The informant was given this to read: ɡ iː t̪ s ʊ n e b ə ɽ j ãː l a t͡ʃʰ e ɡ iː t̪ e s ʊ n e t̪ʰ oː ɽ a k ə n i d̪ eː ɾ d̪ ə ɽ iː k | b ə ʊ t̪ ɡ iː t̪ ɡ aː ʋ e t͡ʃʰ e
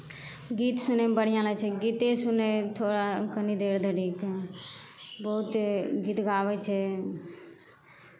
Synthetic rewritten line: ɡ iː t̪ s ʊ n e b ə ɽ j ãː l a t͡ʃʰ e ɡ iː t̪ e s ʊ n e t̪ʰ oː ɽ a k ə n i d̪ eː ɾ d̪ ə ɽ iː k | b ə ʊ t̪ ɡ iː t̪ ɡ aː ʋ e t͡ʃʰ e